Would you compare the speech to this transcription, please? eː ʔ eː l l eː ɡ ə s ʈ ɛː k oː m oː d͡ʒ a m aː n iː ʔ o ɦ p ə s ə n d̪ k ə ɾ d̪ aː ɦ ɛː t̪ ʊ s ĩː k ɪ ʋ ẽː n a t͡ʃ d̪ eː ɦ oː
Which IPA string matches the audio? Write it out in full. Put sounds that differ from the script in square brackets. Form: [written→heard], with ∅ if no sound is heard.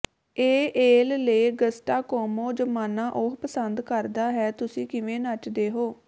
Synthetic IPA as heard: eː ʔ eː l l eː ɡ ə s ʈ [ɛː→aː] k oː m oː d͡ʒ [a→ə] m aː n [iː→aː] ʔ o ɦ p ə s ə n d̪ k ə ɾ d̪ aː ɦ ɛː t̪ ʊ s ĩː k ɪ ʋ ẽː n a t͡ʃ d̪ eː ɦ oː